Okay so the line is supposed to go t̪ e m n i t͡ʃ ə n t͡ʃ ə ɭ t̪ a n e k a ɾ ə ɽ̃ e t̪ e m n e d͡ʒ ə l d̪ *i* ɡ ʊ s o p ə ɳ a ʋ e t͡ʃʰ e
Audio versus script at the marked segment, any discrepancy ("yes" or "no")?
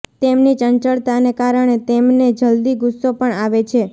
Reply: no